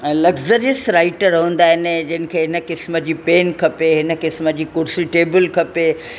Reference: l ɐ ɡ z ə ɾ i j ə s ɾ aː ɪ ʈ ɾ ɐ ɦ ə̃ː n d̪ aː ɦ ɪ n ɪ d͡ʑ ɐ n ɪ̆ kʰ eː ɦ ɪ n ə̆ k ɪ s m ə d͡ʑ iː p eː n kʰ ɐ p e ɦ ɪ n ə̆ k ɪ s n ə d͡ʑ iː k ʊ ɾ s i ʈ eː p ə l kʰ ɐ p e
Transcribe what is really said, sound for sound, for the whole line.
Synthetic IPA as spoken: l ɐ ɡ z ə ɾ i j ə s ɾ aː ɪ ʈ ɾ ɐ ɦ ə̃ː n d̪ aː ɦ ɪ n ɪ d͡ʑ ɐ n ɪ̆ kʰ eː ɦ ɪ n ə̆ k ɪ s m ə d͡ʑ iː p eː n kʰ ɐ p e ɦ ɪ n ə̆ k ɪ s m ə d͡ʑ iː k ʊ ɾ s i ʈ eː b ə l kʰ ɐ p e